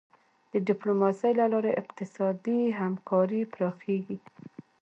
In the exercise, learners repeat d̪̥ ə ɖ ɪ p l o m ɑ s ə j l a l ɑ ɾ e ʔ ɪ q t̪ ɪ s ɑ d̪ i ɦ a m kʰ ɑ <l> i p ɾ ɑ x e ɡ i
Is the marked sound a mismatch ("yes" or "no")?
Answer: yes